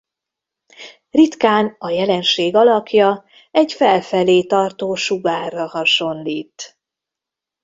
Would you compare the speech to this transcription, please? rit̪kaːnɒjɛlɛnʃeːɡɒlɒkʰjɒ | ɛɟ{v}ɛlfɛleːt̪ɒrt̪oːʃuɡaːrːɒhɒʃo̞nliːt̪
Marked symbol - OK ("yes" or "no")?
no